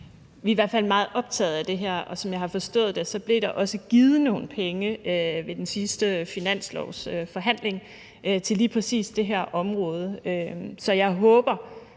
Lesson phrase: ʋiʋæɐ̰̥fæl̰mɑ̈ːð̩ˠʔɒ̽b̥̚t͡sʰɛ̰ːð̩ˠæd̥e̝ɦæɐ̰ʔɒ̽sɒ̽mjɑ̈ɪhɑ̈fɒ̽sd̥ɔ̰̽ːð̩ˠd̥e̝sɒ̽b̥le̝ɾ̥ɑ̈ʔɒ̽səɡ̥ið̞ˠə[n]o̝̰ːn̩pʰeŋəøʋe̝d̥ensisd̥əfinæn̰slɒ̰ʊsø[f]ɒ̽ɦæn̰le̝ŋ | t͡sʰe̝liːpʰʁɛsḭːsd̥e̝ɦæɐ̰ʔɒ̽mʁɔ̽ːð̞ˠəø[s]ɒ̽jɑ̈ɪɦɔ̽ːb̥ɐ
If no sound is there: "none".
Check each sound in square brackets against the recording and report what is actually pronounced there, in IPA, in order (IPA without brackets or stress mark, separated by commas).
n, f, s